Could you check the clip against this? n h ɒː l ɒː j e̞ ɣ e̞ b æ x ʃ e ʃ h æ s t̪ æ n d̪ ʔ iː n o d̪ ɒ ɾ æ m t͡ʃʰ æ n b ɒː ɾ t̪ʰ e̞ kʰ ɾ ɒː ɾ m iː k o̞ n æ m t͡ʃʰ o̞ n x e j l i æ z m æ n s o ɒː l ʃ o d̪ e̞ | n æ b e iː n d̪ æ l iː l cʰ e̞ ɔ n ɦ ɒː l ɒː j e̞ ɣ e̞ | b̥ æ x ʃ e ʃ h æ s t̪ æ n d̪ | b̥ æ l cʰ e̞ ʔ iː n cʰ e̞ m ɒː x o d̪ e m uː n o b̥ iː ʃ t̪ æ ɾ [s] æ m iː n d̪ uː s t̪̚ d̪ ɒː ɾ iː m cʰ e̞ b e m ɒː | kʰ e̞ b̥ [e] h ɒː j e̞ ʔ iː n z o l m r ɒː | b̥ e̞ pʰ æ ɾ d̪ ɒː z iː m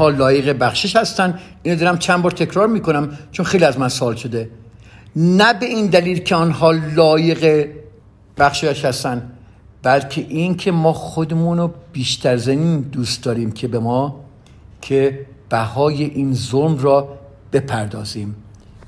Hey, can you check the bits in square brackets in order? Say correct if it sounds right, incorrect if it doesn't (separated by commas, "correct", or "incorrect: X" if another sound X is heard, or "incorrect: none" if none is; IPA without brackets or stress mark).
incorrect: z, incorrect: æ